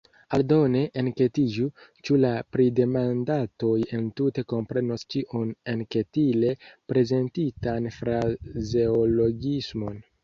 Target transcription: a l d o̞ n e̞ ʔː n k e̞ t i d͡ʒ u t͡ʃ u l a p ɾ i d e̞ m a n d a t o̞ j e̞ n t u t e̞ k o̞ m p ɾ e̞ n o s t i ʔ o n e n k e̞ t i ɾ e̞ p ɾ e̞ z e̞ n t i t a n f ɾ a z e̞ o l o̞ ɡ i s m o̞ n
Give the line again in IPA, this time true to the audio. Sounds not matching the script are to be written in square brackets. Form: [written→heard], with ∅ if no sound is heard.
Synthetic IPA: a l d o̞ n e̞ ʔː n k e̞ t i d͡ʒ u t͡ʃ u l a p ɾ i d e̞ m a n d a t o̞ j e̞ n t u t e̞ k o̞ m p ɾ e̞ n o s [t→t͡ʃ] i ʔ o n e n k e̞ t i [ɾ→l] e̞ p ɾ e̞ z e̞ n t i t a n f ɾ a z e̞ o l o̞ ɡ i s m o̞ n